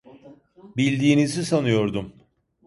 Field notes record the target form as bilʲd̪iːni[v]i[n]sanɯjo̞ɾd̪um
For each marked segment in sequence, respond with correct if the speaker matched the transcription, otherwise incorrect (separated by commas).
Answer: incorrect, incorrect